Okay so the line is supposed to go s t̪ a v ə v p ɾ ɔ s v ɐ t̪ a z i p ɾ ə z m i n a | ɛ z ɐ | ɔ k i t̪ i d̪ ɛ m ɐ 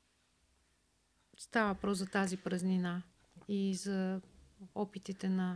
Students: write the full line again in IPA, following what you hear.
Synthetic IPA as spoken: s t̪ a v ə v p ɾ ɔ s z ɐ t̪ a z i p ɾ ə z n i n a | i z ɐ | ɔ p i t̪ i t̪ ɛ n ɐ